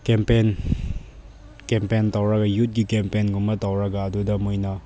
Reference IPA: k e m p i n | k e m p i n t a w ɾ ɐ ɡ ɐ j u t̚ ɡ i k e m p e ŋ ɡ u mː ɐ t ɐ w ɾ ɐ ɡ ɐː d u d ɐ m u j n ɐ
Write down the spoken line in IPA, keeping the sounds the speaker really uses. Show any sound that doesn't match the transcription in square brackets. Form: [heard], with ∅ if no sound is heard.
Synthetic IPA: k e m p [e] n | k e m p [e] n t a w ɾ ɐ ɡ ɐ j u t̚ ɡ i k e m p e [n] ɡ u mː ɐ t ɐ w ɾ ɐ ɡ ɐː d u d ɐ m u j n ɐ